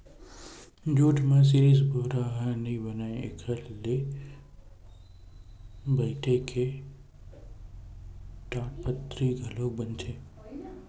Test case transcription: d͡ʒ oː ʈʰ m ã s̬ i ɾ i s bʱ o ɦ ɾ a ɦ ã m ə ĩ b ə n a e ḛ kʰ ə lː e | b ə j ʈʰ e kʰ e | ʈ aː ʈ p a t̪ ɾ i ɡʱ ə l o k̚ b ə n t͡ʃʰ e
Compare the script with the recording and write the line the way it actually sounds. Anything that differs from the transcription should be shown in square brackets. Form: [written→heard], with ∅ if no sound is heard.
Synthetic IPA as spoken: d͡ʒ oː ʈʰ m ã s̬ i ɾ i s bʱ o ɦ ɾ a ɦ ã [m→n] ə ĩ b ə n a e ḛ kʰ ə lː e | b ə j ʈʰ e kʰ e | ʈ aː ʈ p [a→ə] t̪ ɾ i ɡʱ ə l o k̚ b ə n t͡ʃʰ e